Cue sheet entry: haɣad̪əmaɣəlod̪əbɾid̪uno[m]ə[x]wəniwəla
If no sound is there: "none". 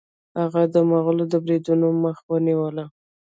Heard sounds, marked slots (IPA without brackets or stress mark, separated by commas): m, x